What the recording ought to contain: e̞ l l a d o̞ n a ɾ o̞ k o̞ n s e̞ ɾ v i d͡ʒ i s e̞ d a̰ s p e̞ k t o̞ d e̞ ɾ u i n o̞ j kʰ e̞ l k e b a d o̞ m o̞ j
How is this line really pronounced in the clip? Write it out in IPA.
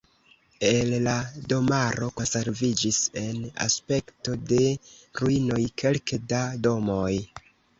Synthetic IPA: e̞ l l a d o̞ m a ɾ o̞ k o̞ n s e̞ ɾ v i d͡ʒ i s e̞ n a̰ s p e̞ k t o̞ d e̞ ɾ u i n o̞ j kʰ e̞ l k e d a d o̞ m o̞ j